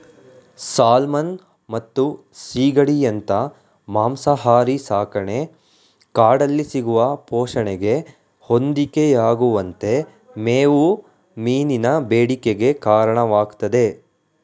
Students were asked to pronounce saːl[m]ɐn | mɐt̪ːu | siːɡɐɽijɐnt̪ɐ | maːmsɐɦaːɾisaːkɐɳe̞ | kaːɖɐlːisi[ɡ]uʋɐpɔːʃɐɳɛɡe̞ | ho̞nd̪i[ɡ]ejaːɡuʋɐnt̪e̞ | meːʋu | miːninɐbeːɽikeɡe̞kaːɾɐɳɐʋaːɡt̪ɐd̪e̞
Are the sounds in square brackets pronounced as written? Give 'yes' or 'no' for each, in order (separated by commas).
yes, yes, no